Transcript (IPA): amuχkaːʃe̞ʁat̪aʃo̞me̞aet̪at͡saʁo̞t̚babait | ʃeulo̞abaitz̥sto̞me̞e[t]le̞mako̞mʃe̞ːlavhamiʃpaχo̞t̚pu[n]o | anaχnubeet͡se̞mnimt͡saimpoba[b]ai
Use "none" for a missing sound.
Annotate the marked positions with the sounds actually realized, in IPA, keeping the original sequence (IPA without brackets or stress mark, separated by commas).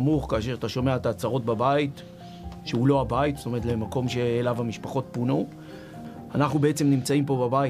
t, n, b